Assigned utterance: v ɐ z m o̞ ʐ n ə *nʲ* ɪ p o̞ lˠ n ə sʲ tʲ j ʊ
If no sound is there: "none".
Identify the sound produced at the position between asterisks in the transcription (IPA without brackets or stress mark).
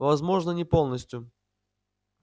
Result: nʲ